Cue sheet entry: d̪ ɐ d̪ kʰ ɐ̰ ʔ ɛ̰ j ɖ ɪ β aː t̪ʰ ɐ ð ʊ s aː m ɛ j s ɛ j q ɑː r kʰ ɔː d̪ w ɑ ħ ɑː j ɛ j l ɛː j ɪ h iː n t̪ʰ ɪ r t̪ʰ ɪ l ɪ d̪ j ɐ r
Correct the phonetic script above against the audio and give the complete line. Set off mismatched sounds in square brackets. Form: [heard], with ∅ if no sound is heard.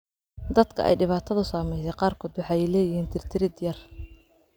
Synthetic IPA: d̪ ɐ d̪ kʰ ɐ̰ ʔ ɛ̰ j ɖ ɪ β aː t̪ʰ ɐ ð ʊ s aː m ɛ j s ɛ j q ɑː r kʰ ɔː d̪ w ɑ ħ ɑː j ɛ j l ɛː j ɪ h iː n t̪ʰ ɪ r t̪ʰ ɪ [ɾ] ɪ d̪ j ɐ r